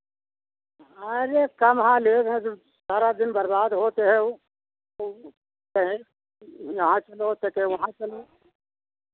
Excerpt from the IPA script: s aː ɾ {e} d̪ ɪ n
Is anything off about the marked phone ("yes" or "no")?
yes